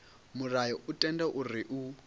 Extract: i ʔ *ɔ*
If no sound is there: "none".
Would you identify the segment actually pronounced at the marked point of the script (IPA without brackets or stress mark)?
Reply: u